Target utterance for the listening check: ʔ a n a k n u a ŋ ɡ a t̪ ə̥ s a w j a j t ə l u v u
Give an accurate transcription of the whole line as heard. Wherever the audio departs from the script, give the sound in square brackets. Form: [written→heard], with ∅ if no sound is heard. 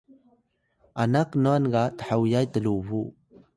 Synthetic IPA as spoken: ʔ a n a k n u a [ŋ→n] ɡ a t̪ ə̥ [s→ħ] a w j a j t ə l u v u